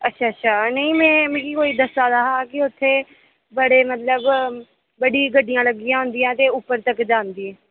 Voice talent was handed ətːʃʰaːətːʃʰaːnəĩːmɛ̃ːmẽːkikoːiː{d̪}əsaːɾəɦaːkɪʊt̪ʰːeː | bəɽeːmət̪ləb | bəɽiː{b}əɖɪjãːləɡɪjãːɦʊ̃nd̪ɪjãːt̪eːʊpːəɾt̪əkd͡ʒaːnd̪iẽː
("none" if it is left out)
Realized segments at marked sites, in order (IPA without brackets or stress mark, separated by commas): d̪, ɡ